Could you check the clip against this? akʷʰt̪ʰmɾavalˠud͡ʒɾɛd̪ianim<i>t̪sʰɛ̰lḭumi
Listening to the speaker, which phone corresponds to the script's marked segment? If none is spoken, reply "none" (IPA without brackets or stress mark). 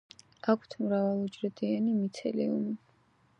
i